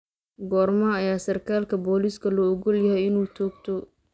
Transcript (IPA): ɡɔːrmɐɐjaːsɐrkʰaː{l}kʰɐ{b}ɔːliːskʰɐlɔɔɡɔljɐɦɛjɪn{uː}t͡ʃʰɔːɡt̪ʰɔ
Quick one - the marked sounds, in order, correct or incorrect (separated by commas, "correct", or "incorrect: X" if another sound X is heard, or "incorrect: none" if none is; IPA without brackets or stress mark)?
correct, correct, correct